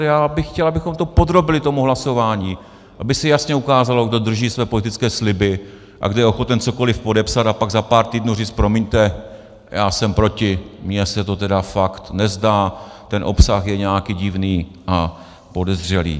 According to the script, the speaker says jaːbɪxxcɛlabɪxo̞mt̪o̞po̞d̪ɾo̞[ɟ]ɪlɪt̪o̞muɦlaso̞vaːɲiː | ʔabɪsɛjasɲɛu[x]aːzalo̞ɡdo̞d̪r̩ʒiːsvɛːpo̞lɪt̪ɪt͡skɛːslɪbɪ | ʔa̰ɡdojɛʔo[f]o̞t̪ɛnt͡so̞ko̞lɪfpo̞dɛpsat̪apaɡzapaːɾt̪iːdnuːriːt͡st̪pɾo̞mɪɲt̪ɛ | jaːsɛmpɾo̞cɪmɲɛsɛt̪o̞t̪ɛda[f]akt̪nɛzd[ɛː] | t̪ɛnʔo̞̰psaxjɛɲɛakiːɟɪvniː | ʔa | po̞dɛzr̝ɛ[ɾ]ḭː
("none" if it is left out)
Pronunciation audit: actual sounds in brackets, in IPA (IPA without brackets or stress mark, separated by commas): b, k, x, f, aː, l